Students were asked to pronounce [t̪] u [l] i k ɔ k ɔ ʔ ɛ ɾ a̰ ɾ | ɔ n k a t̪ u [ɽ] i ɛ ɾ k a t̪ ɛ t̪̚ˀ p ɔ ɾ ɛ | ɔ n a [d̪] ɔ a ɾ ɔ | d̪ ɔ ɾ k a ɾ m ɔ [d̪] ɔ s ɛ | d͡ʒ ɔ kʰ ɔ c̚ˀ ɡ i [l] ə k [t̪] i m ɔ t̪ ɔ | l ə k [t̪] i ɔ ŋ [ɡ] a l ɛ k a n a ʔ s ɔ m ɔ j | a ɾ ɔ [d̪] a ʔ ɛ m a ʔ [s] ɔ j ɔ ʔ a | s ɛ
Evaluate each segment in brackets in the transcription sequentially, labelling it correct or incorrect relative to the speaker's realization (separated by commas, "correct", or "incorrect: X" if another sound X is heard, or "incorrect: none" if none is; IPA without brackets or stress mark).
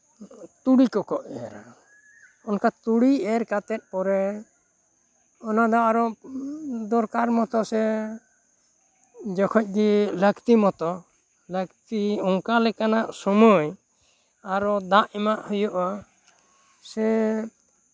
correct, incorrect: ɽ, correct, correct, incorrect: t̪, correct, correct, correct, incorrect: k, correct, incorrect: h